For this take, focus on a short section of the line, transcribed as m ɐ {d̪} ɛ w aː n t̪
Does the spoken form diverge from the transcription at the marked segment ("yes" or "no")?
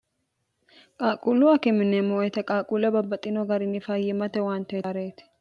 yes